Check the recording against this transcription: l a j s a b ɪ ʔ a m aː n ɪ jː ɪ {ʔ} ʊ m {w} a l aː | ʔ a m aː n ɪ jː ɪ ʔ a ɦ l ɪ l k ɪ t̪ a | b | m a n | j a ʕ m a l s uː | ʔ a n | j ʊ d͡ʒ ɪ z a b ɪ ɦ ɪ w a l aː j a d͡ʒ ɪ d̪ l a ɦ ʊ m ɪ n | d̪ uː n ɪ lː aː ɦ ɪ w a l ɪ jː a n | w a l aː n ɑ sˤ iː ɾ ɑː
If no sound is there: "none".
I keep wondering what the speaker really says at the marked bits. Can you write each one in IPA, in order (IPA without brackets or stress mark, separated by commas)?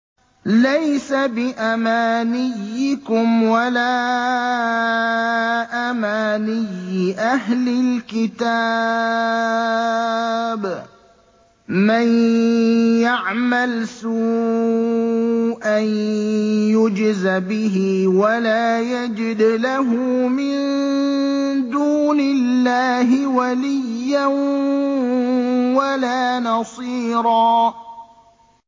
k, w